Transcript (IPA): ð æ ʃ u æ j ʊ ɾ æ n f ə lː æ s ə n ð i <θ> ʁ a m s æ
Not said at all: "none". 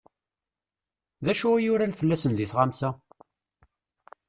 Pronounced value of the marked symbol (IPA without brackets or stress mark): θ